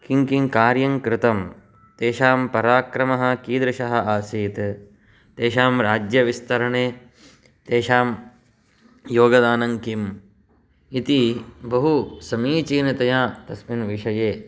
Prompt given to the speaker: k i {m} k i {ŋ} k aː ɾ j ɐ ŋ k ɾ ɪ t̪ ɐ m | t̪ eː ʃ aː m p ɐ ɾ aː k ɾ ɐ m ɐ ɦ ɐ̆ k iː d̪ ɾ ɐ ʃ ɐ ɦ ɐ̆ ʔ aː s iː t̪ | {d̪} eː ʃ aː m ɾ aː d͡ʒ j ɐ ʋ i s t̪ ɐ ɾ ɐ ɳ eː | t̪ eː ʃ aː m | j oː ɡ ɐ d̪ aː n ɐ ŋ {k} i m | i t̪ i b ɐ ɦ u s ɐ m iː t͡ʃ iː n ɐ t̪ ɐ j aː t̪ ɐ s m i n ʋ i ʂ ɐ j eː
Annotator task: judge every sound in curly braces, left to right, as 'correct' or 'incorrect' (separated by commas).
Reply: incorrect, correct, incorrect, correct